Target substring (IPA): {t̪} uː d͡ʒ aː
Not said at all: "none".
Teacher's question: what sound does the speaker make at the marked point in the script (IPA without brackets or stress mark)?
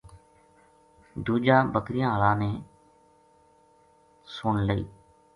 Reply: d̪